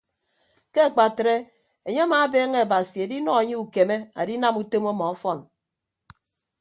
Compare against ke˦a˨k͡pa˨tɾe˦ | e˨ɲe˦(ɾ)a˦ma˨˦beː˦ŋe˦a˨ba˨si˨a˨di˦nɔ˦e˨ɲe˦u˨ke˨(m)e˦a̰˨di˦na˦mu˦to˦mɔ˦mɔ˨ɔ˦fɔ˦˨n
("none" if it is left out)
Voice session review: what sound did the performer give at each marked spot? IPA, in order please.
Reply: none, m

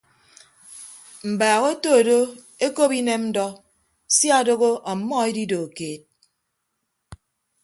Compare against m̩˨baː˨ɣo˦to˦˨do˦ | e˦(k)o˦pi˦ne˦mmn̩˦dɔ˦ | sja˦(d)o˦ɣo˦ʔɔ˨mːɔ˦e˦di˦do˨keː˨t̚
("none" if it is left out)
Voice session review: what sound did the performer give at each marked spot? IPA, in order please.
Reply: k, d

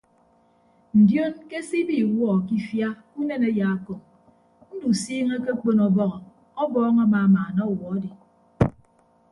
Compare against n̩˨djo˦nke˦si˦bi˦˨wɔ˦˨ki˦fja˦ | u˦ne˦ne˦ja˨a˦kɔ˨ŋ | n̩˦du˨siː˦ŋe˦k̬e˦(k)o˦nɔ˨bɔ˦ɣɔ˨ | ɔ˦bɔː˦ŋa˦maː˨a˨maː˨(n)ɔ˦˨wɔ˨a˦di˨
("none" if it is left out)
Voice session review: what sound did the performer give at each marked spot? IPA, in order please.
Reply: k͡p, n

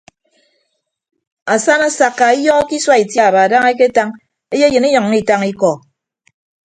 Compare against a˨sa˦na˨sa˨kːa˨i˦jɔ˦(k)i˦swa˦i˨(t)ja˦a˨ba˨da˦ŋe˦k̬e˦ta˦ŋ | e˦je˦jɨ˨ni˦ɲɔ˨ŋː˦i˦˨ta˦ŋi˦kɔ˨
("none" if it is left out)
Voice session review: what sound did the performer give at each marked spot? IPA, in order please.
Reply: k, t

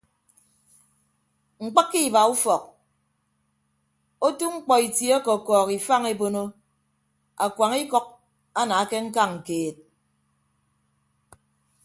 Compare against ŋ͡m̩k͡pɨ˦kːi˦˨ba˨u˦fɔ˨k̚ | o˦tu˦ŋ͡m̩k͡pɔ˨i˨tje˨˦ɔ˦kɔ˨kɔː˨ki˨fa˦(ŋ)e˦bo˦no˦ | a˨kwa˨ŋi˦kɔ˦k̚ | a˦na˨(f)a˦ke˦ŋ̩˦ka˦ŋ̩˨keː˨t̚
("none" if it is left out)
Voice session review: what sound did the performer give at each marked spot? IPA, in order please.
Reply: ŋ, none

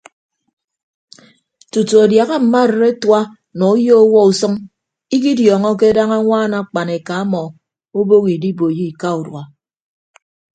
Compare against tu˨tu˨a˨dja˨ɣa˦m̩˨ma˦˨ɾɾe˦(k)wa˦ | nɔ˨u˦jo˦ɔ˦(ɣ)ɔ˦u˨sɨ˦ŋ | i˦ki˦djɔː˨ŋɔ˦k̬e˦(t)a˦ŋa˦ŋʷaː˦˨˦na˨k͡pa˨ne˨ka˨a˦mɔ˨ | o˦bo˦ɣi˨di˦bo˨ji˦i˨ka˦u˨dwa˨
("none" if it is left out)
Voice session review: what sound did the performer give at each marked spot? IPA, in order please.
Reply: t, w, d

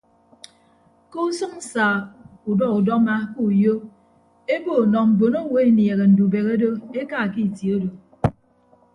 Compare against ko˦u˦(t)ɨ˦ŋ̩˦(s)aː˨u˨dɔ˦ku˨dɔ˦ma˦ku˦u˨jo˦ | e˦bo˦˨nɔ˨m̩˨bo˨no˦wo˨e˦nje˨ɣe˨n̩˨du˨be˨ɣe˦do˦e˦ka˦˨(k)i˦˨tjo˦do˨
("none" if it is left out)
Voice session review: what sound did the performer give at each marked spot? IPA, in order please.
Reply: s, s, k

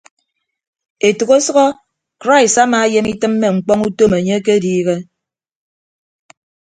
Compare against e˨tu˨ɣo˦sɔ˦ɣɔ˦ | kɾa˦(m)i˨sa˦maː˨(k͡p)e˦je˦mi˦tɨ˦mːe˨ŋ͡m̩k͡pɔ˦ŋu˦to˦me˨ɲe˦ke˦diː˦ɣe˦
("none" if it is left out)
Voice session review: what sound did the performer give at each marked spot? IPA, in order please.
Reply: none, none

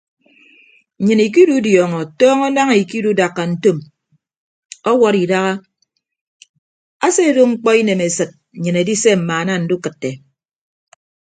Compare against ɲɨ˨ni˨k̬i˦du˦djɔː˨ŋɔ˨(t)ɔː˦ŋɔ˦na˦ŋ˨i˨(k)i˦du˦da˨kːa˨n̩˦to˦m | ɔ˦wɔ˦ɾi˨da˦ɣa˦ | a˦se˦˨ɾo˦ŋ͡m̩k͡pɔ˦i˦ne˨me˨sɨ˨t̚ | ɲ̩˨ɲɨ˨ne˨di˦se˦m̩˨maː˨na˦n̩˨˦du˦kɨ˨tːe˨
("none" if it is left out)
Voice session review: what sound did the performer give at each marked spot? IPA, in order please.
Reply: t, k

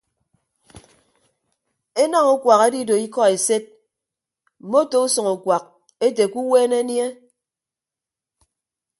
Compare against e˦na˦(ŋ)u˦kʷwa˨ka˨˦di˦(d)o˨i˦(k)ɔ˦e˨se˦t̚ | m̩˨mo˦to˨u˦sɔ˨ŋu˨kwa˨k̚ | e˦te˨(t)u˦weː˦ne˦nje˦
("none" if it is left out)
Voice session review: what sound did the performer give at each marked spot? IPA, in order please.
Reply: ŋ, d, k, k

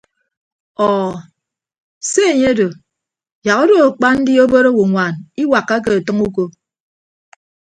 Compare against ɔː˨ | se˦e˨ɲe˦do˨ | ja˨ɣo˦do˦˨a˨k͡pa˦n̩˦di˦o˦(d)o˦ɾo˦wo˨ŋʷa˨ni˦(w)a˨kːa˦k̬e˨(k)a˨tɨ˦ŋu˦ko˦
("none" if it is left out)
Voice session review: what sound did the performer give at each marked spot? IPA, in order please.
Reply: b, w, none

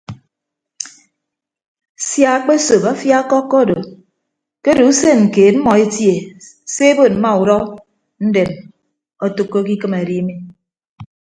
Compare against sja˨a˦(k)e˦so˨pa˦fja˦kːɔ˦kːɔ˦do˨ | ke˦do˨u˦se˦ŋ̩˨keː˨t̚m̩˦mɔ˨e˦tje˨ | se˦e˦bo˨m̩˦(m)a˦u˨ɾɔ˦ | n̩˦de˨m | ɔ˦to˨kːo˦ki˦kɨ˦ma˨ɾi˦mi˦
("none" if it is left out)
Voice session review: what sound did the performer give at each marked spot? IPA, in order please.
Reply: k͡p, m

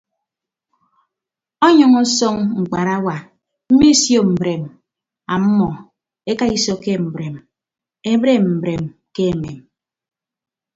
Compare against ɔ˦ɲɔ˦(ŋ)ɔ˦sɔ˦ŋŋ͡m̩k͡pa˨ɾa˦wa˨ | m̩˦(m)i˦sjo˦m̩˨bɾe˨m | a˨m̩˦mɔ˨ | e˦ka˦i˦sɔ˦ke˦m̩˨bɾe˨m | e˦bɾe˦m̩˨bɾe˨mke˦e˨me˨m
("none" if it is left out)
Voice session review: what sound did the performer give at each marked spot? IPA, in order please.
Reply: ŋ, m

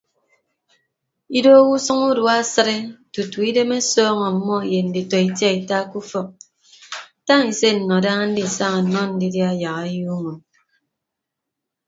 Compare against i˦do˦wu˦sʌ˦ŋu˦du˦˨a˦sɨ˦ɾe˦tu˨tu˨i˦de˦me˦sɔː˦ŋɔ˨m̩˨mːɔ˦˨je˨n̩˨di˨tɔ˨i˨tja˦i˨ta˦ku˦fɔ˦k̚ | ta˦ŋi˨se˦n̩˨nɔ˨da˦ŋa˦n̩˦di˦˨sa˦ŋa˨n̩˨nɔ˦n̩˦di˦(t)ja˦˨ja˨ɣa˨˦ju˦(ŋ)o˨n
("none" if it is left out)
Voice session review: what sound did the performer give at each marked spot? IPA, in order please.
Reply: d, ŋ

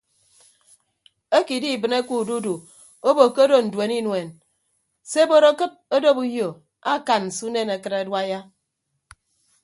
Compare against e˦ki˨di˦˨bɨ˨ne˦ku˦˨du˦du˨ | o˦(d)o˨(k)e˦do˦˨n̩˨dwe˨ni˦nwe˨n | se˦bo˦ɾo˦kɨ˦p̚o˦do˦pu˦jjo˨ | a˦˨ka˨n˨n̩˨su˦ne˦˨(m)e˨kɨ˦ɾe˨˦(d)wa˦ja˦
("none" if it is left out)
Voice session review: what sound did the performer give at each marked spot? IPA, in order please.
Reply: b, k, n, d

